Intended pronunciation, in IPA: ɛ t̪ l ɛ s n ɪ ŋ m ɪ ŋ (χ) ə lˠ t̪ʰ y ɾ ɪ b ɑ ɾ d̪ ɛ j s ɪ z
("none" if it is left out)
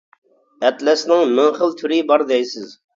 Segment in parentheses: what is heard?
χ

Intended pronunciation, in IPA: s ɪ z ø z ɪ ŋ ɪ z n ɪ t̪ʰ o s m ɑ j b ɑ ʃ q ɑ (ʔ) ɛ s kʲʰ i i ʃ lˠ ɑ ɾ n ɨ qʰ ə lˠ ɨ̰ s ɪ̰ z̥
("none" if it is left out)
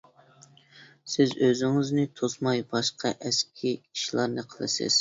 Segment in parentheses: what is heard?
ʔ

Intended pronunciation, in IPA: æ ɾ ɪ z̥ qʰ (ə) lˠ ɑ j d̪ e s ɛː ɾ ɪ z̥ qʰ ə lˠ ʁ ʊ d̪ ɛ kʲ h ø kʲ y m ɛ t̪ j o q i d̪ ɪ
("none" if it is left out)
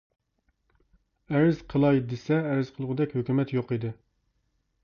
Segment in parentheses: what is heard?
ə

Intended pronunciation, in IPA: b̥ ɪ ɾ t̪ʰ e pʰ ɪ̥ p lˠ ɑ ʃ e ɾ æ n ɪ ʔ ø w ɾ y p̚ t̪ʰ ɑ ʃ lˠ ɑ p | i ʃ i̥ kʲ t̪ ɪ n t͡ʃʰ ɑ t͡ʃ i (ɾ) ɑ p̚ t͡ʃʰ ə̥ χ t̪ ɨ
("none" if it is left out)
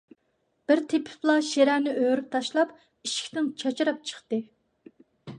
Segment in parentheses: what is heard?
ɾ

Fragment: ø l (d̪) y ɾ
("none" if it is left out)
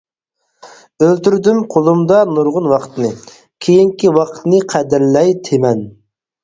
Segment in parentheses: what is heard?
t̪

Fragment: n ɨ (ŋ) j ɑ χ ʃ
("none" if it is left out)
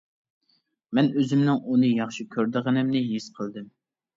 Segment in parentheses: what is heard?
none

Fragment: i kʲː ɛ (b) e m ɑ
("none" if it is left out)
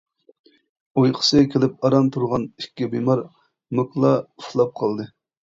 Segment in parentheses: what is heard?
b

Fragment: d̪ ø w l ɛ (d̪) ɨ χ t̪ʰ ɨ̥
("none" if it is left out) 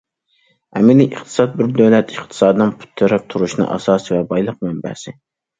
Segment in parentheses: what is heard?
t̪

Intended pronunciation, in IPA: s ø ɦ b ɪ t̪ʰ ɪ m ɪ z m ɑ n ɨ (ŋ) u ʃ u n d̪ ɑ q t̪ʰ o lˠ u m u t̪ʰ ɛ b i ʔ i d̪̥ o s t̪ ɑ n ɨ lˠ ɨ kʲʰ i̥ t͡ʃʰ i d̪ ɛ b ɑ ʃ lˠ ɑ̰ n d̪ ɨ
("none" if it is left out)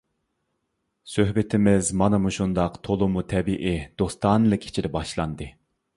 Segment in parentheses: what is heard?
m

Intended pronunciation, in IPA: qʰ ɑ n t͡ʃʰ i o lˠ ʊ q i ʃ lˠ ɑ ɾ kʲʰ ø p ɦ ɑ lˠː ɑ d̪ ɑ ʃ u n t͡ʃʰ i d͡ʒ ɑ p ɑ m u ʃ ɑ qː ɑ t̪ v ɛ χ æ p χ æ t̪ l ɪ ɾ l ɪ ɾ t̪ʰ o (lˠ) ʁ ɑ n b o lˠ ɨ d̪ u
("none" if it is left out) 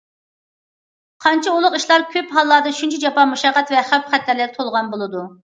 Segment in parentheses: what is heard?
lˠ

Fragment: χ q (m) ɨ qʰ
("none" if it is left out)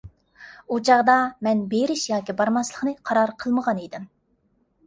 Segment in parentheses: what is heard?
n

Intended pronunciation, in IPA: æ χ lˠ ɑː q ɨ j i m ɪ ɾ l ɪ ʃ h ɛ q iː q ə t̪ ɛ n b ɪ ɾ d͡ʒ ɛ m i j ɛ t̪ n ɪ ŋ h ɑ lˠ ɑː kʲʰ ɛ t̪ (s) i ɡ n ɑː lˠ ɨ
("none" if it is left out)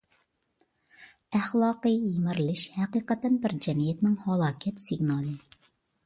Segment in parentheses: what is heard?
s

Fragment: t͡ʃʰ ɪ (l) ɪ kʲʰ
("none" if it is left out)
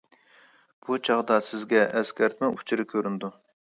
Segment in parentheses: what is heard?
ɾ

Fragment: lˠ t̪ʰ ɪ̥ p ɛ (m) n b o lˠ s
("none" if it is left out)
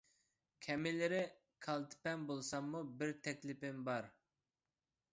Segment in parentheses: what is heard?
none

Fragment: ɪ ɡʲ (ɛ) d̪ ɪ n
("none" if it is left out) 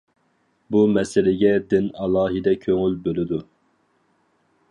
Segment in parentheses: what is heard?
ɛ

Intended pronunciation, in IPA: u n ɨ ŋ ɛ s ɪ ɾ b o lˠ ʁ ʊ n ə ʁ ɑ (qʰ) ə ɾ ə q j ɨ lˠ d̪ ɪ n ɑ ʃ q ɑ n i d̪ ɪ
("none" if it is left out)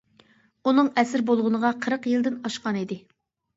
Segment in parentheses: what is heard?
qʰ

